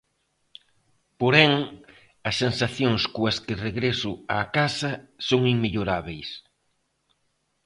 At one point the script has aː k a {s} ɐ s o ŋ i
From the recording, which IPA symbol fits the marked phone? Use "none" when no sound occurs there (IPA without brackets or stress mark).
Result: s